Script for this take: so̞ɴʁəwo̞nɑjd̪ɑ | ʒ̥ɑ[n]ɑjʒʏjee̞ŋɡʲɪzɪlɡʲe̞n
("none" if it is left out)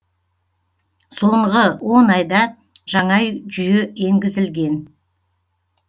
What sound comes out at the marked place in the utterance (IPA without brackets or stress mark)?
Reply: ɴ